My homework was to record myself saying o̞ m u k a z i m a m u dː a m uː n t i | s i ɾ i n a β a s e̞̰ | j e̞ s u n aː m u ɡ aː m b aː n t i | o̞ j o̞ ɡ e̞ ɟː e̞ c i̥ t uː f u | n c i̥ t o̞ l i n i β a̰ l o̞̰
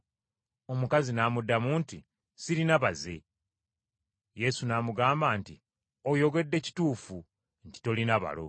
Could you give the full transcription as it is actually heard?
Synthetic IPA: o̞ m u k a z i n a m u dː a m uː n t i | s i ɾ i n a β a z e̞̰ | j e̞ s u n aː m u ɡ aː m b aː n t i | o̞ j o̞ ɡ e̞ dː e̞ c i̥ t uː f u | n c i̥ t o̞ l i n a β a̰ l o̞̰